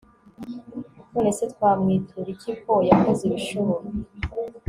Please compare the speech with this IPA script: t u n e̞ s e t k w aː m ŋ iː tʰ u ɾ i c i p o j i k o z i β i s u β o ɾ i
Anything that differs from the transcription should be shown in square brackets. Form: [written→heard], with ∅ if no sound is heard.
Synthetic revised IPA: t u n e̞ s e t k w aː m ŋ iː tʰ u ɾ i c i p o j [i→a] k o z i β i [s→ʃ] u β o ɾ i